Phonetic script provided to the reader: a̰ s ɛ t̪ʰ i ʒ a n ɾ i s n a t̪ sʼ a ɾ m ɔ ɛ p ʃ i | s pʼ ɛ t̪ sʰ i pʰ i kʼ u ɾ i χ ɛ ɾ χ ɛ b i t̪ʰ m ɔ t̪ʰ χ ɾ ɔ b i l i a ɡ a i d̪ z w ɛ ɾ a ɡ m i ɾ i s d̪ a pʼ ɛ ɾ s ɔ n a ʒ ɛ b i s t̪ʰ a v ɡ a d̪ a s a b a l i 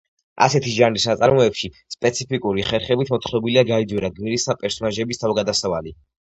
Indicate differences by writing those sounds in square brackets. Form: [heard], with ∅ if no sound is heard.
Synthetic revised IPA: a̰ s ɛ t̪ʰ i ʒ a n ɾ i s n a t̪ sʼ a ɾ m ɔ ɛ p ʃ i | s pʼ ɛ t̪ sʰ i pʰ i kʼ u ɾ i χ ɛ ɾ χ ɛ b i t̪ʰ m ɔ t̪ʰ χ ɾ ɔ b i l i a ɡ a i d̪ z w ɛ ɾ a ɡ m i ɾ i s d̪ a pʼ ɛ ɾ s ɔ n a ʒ ɛ b i s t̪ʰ a v ɡ a d̪ a s a [v] a l i